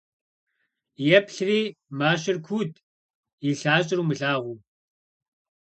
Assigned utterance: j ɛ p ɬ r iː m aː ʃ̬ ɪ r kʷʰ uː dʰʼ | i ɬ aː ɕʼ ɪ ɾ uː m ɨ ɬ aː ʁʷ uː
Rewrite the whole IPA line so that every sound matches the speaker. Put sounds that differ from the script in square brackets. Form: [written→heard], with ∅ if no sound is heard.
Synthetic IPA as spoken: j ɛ p ɬ r iː m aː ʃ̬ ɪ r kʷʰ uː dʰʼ | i ɬ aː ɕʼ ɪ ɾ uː m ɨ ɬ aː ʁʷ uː

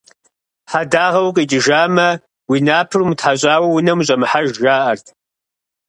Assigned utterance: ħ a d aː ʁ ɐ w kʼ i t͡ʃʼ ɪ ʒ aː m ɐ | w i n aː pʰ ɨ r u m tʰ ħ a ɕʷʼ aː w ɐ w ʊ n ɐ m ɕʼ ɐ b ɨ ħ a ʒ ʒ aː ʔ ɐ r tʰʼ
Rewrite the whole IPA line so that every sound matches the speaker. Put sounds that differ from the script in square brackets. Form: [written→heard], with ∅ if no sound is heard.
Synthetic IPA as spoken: ħ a d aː ʁ ɐ w kʼ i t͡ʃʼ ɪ ʒ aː m ɐ | w i n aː pʰ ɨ r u m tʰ ħ a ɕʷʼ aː w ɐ w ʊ n ɐ m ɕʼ ɐ [b→m] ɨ ħ a ʒ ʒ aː ʔ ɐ r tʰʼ

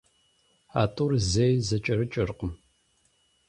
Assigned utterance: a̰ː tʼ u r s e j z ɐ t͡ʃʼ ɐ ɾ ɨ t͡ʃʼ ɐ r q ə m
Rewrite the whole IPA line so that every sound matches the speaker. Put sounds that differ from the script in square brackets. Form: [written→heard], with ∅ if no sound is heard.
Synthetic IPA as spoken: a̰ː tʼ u r [s→z] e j z ɐ t͡ʃʼ ɐ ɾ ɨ t͡ʃʼ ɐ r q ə m

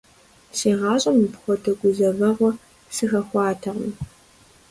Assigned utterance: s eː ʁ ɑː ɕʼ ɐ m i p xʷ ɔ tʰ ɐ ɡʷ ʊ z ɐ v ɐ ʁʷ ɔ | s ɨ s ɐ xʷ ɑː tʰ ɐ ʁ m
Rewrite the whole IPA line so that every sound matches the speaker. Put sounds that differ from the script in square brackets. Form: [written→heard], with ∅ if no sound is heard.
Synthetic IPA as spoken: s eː ʁ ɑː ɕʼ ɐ m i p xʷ ɔ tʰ ɐ ɡʷ ʊ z ɐ v ɐ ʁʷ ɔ | s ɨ [s→x] ɐ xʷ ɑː tʰ ɐ ʁ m

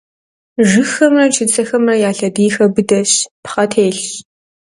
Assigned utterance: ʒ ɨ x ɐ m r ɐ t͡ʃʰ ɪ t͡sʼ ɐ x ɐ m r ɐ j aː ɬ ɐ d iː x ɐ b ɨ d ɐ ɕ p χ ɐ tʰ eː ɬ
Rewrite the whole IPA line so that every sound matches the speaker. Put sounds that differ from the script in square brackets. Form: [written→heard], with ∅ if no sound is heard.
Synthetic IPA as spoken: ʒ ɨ x ɐ m r ɐ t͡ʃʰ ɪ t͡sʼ ɐ x ɐ m r ɐ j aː ɬ ɐ d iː x ɐ b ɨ d ɐ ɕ p χ ɐ tʰ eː ɬ

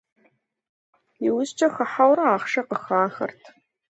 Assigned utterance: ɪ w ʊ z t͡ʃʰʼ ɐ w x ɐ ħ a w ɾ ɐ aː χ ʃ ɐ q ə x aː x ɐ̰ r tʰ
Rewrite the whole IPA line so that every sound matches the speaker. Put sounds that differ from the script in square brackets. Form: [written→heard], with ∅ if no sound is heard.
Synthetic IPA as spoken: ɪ w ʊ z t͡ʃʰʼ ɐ [w→∅] x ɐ ħ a w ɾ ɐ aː χ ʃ ɐ q ə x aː x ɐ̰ r tʰ

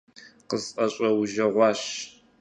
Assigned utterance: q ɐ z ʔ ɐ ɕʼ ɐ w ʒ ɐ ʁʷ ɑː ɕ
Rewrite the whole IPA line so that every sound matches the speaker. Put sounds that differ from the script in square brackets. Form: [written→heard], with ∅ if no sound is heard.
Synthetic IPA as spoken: q [ɐ→ə] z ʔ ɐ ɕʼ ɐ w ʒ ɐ ʁʷ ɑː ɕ

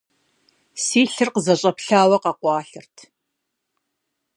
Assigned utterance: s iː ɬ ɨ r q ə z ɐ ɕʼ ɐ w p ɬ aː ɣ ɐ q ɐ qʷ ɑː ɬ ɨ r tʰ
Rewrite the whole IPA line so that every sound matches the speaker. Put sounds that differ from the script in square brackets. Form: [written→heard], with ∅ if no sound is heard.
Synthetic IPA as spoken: s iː ɬ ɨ r q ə z ɐ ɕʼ ɐ [w→∅] p ɬ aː [ɣ→w] ɐ q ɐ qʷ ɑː ɬ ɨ r tʰ

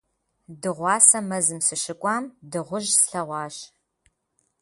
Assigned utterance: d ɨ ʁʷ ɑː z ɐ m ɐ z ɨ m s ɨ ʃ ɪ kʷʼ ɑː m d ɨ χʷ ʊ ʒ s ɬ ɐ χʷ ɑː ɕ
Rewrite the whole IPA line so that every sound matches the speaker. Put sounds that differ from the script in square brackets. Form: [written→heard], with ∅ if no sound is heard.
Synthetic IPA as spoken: d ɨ ʁʷ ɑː [z→s] ɐ m ɐ z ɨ m s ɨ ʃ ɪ kʷʼ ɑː m d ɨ [χʷ→ʁʷ] ʊ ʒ s ɬ ɐ [χʷ→ʁʷ] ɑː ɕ

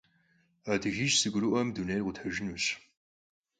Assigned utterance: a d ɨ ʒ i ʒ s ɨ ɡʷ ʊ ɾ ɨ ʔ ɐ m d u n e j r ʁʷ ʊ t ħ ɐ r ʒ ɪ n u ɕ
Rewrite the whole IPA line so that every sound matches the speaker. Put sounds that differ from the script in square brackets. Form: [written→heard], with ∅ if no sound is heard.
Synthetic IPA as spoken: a d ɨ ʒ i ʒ s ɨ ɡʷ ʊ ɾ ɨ ʔ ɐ m d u n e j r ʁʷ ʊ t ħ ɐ [r→∅] ʒ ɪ n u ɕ

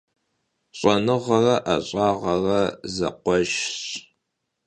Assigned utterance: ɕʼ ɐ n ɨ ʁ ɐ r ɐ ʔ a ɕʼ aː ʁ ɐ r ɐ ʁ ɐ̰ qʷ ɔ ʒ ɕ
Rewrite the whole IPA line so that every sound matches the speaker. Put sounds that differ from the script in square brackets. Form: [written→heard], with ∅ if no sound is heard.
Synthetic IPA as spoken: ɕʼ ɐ n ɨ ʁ ɐ r ɐ ʔ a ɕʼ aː ʁ ɐ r ɐ [ʁ→z] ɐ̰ qʷ ɔ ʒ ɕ

